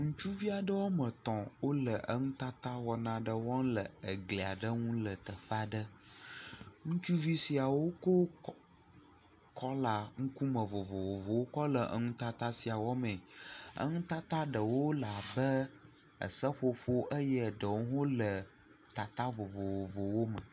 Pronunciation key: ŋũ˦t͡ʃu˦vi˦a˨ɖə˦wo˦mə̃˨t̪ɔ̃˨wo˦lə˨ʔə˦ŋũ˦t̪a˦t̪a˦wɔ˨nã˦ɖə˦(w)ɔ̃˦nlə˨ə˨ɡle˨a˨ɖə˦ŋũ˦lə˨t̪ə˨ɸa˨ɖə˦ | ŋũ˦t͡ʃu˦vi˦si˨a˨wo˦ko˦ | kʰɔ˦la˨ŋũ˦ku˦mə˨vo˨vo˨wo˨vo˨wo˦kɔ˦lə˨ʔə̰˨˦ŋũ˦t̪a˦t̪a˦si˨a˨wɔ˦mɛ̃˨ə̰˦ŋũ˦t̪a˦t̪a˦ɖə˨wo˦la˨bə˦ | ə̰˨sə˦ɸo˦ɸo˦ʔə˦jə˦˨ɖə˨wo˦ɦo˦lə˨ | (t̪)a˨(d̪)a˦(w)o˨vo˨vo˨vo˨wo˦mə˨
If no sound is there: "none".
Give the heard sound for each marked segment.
w, t̪, t̪, v

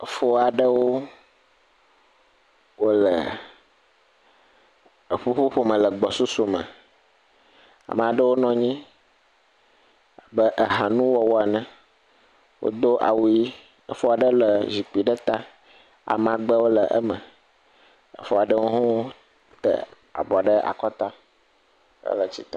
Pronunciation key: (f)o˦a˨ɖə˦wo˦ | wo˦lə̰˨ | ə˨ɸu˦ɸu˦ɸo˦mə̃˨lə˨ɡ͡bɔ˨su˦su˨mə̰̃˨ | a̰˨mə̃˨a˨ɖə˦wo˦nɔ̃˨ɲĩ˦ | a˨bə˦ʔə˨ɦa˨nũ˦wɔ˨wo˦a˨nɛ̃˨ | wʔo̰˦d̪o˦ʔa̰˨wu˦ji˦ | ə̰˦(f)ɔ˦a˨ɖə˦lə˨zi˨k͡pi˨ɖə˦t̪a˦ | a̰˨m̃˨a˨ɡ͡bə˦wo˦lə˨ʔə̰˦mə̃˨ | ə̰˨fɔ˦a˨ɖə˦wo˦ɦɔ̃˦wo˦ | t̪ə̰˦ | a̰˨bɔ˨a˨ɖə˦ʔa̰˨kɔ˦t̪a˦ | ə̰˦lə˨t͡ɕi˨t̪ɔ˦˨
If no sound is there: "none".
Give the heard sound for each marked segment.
f, f

